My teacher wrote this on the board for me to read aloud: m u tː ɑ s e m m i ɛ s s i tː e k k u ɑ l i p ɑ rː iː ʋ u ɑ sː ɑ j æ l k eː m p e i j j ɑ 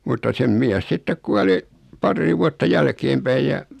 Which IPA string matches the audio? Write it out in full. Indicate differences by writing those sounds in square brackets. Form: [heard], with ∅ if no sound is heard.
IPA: m u tː ɑ s e m m i [æ] s s i tː e k k u ɑ l i p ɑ rː iː ʋ u ɑ [tː] ɑ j æ l k eː m p [æ] i j j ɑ